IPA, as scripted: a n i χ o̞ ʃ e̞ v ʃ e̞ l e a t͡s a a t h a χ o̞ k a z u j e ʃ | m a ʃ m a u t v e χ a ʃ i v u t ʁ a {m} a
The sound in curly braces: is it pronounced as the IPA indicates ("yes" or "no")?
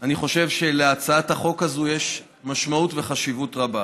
no